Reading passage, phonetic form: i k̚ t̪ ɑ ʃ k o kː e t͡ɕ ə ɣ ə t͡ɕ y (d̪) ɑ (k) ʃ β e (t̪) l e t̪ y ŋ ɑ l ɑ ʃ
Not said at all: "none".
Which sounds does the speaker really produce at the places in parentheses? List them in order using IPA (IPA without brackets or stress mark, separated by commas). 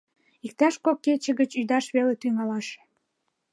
d̪, none, none